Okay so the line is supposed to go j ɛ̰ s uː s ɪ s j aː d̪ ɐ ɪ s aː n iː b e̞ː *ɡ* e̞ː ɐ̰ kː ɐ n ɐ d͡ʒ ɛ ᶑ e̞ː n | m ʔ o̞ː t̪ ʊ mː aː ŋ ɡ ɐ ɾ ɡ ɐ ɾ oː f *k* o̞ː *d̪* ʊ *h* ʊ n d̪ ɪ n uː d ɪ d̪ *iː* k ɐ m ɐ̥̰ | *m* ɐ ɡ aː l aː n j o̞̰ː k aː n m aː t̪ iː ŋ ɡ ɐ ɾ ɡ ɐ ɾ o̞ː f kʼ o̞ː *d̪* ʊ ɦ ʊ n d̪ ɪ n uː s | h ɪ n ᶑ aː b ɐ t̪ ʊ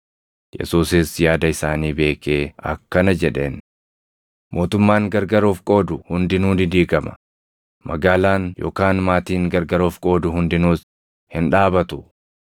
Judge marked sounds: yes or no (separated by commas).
no, no, yes, yes, yes, yes, yes